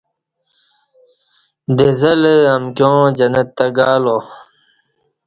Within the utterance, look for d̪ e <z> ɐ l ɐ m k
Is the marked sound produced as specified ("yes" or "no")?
yes